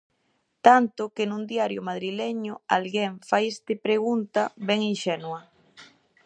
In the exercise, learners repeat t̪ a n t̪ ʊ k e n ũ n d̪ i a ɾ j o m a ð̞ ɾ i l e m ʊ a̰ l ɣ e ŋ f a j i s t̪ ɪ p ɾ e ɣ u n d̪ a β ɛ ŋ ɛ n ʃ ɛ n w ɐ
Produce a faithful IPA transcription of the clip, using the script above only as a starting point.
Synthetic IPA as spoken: t̪ a n t̪ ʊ k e n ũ n d̪ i a ɾ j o m a ð̞ ɾ i l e ɲ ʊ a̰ l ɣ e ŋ f a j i s t̪ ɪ p ɾ e ɣ u n t̪ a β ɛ ŋ i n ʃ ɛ n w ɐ